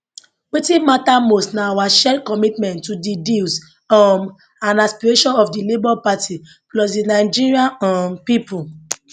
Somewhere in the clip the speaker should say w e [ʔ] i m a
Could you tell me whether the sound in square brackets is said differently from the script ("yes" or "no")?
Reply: yes